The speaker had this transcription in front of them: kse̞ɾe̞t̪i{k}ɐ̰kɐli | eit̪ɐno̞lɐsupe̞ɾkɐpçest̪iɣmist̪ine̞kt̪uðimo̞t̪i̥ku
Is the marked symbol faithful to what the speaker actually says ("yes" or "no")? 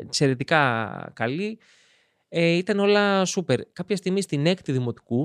yes